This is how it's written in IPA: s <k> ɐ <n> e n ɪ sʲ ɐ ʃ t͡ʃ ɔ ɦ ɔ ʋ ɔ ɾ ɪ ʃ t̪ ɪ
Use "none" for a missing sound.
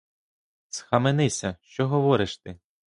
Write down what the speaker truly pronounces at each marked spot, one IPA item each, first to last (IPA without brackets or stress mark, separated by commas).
x, m